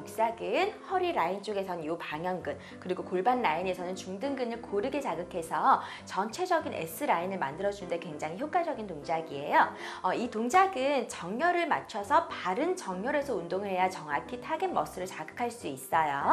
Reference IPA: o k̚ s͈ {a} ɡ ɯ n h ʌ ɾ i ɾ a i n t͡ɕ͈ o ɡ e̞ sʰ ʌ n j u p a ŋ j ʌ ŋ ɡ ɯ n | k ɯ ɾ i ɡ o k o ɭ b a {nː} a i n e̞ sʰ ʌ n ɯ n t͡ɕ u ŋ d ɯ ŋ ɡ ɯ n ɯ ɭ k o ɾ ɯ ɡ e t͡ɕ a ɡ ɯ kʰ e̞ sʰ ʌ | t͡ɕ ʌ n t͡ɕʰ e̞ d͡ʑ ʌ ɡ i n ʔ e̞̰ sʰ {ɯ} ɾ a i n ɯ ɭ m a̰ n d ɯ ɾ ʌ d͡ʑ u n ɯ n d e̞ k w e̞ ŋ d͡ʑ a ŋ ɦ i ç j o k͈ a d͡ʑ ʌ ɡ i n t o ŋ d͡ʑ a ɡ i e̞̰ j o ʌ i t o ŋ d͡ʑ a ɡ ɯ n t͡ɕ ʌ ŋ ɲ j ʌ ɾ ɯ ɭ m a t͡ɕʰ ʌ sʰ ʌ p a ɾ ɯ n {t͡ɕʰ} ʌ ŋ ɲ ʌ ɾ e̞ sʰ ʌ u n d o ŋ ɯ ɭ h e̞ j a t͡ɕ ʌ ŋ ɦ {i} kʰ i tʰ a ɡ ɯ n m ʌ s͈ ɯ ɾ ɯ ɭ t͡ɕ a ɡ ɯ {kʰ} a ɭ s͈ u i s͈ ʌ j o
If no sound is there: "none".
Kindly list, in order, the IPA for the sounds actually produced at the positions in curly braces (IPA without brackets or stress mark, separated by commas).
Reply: a, nː, ɯ, t͡ɕ, a, kʰ